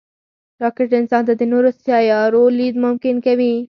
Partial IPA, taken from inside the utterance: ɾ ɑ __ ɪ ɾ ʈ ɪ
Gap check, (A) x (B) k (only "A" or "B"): B